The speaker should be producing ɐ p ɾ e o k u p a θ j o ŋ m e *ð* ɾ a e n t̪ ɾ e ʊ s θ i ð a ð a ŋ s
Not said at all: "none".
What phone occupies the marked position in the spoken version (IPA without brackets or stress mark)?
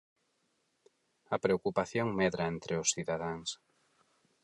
ð